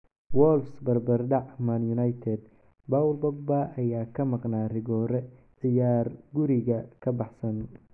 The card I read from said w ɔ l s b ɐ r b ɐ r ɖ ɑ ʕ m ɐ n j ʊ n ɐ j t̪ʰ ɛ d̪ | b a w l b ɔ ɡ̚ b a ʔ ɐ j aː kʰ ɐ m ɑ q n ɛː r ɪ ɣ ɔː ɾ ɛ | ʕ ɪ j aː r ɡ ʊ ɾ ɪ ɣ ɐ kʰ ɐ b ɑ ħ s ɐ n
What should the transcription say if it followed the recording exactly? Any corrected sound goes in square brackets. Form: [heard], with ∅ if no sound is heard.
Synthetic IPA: w ɔ l s b ɐ r b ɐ r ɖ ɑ ʕ m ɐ n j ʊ n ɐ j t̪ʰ ɛ d̪ | b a w l b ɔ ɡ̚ b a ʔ ɐ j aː kʰ ɐ m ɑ q n [aː] r ɪ ɣ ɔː ɾ ɛ | ʕ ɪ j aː r ɡ ʊ ɾ ɪ ɣ ɐ kʰ ɐ b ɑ ħ s ɐ n